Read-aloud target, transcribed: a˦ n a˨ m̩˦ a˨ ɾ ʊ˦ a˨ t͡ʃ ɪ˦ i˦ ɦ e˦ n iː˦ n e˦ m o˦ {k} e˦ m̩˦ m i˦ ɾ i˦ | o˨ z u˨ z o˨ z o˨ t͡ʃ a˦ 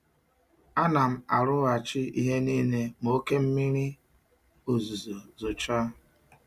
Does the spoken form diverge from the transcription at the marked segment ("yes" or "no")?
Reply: no